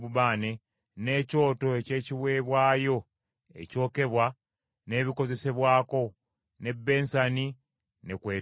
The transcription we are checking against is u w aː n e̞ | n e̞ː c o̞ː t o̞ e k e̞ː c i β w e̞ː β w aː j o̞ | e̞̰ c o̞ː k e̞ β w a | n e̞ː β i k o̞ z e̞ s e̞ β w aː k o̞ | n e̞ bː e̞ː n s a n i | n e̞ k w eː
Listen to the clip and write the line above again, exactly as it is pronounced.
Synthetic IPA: u β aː n e̞ | n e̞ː c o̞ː t o̞ e c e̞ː c i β w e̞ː β w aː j o̞ | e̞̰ c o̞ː k e̞ β w a | n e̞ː β i k o̞ z e̞ s e̞ β w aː k o̞ | n e̞ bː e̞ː n s a n i | n e̞ k w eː